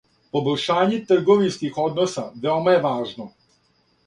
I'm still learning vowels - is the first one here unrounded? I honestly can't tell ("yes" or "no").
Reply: no